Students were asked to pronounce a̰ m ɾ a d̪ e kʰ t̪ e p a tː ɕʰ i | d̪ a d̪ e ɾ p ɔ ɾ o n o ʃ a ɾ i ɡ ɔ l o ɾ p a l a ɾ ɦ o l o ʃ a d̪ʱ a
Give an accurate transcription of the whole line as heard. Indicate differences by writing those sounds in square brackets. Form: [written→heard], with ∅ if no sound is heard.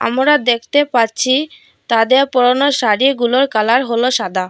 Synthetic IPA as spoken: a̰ m ɾ a d̪ e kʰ t̪ e p a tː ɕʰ i | [d̪→t̪] a d̪ e ɾ p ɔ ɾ o n o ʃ a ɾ i ɡ [ɔ→u] l o ɾ [p→k] a l a ɾ ɦ o l o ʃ a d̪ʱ a